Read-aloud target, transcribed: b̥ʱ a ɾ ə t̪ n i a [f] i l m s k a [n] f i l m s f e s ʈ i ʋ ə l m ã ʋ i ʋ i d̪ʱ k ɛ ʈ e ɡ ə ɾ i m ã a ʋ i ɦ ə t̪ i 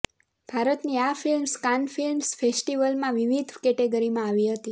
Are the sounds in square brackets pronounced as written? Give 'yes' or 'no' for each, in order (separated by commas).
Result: yes, yes